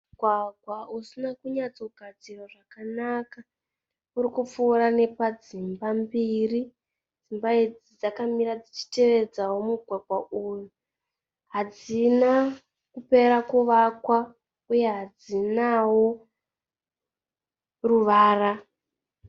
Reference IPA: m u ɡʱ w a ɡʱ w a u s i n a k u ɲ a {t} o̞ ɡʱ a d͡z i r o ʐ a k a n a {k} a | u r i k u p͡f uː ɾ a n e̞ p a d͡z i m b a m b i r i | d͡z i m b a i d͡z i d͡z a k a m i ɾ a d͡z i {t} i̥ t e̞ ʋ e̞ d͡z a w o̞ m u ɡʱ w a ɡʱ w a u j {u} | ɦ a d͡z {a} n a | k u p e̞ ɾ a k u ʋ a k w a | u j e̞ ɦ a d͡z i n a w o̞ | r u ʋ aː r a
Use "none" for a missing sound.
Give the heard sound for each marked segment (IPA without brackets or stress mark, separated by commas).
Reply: t͡s, k, t͡ʃ, u, i